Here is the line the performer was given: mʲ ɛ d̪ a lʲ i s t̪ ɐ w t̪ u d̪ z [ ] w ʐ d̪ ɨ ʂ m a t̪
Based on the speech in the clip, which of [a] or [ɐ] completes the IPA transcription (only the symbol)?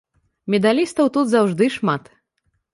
a